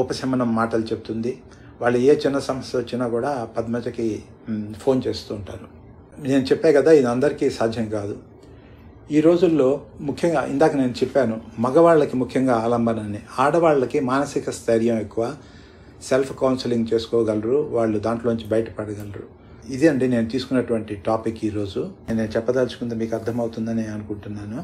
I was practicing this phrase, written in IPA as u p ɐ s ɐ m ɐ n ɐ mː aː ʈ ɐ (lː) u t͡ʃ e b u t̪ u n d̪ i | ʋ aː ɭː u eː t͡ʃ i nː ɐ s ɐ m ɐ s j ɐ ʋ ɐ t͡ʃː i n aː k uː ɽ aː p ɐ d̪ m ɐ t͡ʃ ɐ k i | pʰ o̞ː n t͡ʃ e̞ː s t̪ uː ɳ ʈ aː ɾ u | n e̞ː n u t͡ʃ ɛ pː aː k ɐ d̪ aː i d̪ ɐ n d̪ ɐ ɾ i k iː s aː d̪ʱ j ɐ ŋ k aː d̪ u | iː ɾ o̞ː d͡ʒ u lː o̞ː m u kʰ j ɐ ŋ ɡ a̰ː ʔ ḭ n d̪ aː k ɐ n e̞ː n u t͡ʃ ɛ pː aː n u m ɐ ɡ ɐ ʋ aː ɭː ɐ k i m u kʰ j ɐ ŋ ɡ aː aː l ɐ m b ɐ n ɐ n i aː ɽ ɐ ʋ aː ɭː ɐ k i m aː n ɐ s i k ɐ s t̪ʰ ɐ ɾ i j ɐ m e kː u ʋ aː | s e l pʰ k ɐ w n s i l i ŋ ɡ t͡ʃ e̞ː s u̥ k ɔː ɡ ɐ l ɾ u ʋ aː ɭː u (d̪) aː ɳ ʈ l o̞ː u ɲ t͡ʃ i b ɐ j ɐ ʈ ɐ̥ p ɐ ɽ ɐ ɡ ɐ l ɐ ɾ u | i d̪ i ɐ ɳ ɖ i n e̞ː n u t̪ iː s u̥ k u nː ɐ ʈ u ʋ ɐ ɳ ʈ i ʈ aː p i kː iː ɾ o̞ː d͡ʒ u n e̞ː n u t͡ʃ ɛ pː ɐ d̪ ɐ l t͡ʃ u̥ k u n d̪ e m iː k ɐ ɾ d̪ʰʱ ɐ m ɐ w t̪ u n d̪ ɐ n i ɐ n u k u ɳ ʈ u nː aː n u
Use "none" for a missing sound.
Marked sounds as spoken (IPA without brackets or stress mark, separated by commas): l, d̪